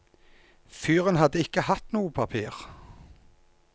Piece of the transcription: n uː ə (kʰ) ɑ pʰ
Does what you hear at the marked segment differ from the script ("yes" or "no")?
yes